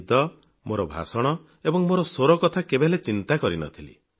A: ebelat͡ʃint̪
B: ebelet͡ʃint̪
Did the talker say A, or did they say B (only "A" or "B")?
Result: B